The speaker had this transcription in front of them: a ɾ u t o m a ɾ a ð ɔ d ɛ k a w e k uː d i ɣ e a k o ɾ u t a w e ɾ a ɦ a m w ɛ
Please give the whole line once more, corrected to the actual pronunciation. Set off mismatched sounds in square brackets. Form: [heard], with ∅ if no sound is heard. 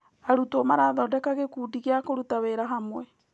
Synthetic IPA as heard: a ɾ u t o m a ɾ a ð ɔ d ɛ k a [ɣ] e k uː d i ɣ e a k o ɾ u t a w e ɾ a ɦ a m w ɛ